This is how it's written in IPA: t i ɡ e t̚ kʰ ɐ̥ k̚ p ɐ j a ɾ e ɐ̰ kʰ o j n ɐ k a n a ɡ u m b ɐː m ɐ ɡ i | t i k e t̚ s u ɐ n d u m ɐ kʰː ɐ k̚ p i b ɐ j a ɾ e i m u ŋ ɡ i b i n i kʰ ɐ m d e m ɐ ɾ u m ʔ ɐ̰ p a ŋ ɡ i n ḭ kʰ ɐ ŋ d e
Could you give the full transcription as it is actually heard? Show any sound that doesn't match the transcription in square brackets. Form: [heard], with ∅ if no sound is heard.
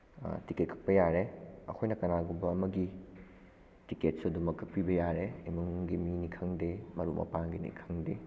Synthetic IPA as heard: t i [k] e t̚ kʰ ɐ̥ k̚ p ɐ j a ɾ e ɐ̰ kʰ o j n ɐ k [ɐ] n a ɡ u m b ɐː m ɐ ɡ i | t i k e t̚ s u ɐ [∅] d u m ɐ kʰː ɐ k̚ p i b ɐ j a ɾ e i m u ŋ ɡ i [m] i n i kʰ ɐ [ŋ] d e m ɐ ɾ u m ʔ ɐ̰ p a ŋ ɡ i n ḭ kʰ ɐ ŋ d e